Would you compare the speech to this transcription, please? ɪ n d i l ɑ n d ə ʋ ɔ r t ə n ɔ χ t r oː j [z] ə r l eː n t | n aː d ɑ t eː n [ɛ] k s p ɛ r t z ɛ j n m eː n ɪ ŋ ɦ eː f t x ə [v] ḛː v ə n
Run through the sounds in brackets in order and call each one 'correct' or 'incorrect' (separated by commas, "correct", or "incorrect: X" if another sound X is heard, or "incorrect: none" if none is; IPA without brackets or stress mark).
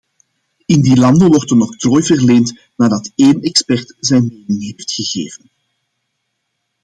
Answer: incorrect: v, correct, incorrect: ɣ